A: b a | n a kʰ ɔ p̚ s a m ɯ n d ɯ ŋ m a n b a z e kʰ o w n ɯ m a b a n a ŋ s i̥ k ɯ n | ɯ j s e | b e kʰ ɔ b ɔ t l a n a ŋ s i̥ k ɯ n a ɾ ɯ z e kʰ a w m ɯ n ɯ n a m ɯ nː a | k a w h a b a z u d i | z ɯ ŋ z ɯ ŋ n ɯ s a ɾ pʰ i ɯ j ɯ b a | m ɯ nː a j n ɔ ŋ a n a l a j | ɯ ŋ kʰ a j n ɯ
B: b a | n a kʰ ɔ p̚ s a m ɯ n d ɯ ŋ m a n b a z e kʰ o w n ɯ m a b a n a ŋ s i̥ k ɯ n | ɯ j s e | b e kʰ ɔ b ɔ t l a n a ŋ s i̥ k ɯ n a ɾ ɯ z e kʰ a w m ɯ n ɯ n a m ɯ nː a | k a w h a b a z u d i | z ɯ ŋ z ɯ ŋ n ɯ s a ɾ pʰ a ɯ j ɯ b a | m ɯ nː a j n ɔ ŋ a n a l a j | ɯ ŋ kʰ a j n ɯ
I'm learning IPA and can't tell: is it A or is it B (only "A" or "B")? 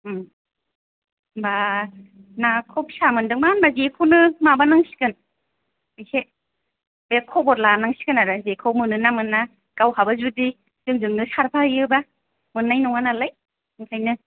B